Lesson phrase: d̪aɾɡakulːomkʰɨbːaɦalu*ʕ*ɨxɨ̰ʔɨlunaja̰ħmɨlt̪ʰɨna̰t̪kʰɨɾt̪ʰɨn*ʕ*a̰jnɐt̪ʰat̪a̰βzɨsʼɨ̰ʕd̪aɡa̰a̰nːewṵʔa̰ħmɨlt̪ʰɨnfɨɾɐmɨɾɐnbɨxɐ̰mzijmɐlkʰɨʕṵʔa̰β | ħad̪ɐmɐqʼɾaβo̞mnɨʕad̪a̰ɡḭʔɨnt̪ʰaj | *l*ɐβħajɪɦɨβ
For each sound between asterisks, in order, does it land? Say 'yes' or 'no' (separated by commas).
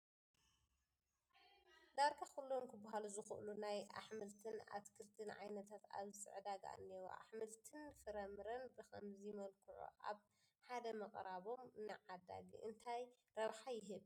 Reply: no, yes, no